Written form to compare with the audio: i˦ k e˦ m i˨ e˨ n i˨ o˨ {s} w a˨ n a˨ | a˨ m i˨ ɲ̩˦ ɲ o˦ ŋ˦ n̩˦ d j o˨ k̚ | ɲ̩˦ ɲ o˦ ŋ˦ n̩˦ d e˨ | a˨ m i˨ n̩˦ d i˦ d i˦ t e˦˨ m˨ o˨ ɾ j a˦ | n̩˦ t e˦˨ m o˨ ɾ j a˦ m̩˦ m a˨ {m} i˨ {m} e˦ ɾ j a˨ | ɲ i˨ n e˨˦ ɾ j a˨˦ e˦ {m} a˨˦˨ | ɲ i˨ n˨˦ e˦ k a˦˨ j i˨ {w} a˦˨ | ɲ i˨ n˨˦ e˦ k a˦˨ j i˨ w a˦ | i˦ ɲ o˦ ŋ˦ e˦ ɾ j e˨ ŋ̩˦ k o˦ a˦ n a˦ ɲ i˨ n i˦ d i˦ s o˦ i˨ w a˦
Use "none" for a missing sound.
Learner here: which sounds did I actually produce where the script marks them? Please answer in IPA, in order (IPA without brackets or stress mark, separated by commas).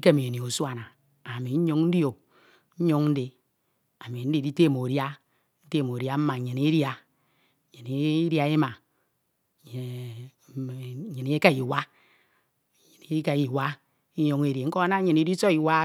s, ɲ, n, m, w